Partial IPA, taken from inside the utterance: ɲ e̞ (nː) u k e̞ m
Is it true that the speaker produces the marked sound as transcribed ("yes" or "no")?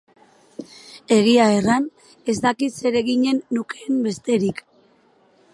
yes